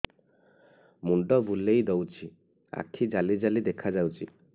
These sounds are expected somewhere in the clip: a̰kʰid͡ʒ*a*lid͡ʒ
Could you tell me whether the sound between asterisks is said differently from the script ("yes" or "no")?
no